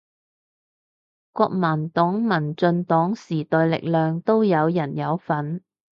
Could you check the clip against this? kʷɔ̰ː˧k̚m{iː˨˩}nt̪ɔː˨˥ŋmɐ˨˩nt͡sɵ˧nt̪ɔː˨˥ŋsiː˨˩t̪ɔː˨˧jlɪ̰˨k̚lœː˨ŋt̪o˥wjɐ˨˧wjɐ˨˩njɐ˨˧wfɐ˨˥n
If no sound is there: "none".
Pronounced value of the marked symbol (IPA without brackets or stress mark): aː˨˩